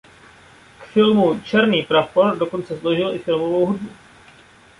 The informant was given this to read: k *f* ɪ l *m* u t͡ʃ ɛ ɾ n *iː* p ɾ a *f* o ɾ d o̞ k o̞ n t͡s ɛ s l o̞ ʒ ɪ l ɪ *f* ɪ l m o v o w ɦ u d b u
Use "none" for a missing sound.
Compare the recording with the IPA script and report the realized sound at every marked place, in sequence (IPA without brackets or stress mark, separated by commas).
f, m, iː, f, f